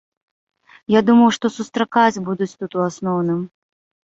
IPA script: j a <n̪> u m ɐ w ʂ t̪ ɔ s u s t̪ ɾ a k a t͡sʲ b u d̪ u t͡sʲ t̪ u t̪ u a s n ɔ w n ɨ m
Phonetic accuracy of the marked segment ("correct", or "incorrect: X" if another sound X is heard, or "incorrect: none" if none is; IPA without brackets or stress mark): incorrect: d̪